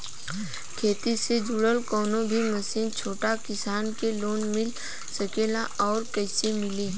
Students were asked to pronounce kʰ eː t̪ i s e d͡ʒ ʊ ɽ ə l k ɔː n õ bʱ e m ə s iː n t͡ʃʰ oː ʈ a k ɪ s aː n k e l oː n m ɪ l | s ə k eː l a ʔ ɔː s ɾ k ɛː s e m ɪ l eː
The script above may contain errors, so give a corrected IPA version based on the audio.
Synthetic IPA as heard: kʰ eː t̪ i s e d͡ʒ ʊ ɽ ə l k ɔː n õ bʱ i m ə s iː n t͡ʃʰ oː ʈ a k ɪ s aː n k e l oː n m ɪ l | s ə k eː l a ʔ ɔː ɾ k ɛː s e m ɪ l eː